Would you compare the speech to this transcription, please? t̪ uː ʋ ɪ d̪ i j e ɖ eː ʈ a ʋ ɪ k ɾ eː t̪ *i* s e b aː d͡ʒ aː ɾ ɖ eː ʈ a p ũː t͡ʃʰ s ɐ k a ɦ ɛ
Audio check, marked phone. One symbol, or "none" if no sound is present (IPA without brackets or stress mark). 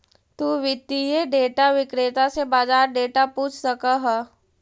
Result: a